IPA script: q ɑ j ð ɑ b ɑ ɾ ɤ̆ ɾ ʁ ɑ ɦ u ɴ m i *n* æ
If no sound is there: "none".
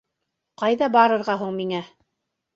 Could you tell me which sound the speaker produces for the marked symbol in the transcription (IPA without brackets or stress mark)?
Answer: ŋ